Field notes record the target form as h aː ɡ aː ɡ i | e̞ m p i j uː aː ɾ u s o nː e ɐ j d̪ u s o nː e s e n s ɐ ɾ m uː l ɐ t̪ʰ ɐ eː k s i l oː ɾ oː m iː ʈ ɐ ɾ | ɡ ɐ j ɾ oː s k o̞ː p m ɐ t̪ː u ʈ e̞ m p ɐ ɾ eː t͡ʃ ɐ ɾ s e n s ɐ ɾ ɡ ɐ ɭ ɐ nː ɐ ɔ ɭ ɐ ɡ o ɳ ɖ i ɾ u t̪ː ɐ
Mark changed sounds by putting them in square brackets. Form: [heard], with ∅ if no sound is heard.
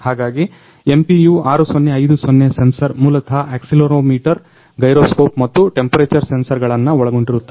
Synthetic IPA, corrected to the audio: h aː ɡ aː ɡ i | e̞ m p i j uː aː ɾ u s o nː e ɐ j d̪ u s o nː e s e n s ɐ ɾ m uː l ɐ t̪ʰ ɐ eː k s i l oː ɾ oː m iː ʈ ɐ ɾ | ɡ ɐ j ɾ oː s k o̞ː p m ɐ t̪ː u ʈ e̞ m p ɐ ɾ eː t͡ʃ ɐ ɾ s e n s ɐ ɾ ɡ ɐ ɭ ɐ nː ɐ ɔ ɭ ɐ ɡ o ɳ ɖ i ɾ u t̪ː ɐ